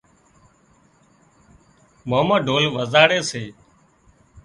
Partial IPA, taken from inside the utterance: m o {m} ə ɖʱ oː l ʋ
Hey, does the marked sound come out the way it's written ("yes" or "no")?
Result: yes